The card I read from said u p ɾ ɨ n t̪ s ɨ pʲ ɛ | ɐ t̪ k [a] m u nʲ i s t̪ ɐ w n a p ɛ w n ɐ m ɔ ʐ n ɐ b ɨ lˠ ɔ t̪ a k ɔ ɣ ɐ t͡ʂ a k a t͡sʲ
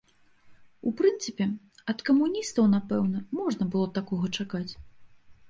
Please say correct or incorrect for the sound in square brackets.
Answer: incorrect